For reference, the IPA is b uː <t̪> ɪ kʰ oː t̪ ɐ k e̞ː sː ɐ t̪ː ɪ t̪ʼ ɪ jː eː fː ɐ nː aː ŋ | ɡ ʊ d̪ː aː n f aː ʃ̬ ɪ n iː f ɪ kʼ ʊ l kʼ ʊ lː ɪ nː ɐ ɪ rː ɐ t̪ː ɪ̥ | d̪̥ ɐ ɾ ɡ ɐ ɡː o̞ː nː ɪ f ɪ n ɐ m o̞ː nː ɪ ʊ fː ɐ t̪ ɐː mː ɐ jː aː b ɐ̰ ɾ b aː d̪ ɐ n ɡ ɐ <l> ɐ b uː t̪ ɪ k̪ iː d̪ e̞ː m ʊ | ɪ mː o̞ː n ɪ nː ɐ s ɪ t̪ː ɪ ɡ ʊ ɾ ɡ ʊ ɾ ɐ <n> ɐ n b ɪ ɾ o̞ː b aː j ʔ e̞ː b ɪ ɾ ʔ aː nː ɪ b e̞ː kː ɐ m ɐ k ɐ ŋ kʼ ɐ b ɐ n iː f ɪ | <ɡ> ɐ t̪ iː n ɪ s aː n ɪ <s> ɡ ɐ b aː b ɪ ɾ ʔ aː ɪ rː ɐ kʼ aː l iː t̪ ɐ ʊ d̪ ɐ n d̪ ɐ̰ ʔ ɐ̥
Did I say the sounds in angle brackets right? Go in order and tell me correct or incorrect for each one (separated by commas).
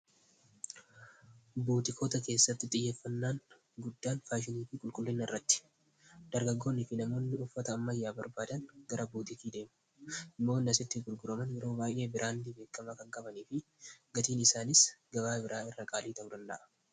correct, incorrect, incorrect, correct, correct